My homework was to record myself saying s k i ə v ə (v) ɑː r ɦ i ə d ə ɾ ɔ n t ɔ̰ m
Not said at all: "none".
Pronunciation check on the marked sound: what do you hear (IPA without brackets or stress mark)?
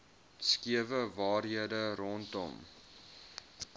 v